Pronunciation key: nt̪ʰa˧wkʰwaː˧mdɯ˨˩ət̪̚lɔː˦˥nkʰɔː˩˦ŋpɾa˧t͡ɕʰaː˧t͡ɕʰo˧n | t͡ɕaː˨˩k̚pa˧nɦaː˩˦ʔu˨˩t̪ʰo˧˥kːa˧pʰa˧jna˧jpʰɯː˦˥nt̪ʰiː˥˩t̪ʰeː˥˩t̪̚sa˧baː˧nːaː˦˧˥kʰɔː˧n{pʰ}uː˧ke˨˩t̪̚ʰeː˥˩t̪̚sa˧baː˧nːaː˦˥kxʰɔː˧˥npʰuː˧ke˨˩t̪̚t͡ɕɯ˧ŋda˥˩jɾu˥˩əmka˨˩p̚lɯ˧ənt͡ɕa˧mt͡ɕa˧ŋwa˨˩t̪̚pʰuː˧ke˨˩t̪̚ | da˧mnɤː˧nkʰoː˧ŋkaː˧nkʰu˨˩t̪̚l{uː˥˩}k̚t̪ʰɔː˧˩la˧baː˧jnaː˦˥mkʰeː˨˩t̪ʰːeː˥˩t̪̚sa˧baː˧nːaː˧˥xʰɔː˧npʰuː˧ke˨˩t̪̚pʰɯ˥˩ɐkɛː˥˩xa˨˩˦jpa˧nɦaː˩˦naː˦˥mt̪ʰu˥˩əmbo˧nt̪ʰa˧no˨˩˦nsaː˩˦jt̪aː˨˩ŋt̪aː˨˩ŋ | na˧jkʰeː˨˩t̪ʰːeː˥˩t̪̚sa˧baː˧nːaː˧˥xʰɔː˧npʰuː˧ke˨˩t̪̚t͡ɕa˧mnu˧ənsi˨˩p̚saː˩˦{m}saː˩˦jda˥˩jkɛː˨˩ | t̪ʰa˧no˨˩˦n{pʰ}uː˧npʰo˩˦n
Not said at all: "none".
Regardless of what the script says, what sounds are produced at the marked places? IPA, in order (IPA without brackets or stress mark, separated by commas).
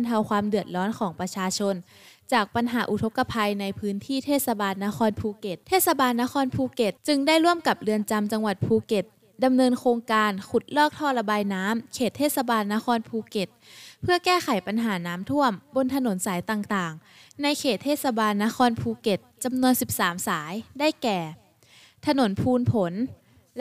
pʰ, ɔː˥˩, m, pʰ